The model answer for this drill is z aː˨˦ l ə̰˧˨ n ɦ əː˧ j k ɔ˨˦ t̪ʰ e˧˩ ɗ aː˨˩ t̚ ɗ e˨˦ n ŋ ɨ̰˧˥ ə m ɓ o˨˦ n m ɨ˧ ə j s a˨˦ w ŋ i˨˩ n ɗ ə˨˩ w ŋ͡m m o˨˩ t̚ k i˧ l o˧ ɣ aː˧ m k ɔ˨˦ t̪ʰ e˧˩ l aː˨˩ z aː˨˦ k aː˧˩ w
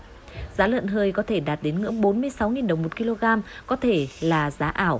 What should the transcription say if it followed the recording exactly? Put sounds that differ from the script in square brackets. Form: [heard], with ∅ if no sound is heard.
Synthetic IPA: z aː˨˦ l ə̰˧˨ n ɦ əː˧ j k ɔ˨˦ t̪ʰ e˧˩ ɗ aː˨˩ t̚ ɗ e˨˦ n ŋ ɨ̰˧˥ ə [ŋ] ɓ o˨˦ n m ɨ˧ ə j s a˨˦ w ŋ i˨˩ n ɗ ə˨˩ w ŋ͡m m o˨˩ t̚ k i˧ l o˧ ɣ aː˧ m k ɔ˨˦ t̪ʰ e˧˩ l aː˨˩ z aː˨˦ [ʔ] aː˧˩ w